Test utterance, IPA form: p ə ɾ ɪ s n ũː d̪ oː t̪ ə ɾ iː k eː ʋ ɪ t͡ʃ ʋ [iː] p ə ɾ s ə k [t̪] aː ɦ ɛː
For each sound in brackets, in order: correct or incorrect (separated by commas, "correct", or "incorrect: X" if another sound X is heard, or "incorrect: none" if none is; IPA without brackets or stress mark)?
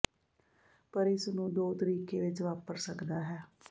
incorrect: aː, incorrect: d̪